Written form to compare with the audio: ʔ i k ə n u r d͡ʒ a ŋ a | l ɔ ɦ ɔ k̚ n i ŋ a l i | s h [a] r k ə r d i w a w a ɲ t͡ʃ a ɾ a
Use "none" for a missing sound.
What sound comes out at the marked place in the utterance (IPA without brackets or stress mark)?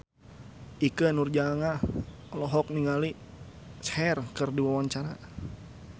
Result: ɛ